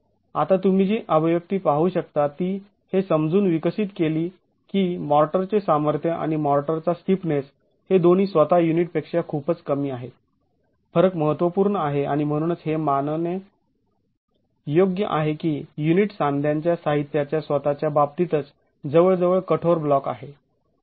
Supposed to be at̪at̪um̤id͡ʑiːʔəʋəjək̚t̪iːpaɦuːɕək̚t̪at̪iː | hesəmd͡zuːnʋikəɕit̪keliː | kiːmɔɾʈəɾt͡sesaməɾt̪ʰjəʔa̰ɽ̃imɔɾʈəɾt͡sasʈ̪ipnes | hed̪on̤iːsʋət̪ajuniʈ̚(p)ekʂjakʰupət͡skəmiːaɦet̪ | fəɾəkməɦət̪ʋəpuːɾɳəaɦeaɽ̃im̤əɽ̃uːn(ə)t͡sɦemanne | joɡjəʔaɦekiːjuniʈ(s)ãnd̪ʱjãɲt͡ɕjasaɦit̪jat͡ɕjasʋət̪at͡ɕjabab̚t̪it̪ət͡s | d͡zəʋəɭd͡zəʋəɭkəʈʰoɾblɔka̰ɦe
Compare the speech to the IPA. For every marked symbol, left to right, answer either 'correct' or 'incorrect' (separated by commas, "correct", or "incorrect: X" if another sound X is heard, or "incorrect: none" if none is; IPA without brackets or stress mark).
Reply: correct, correct, correct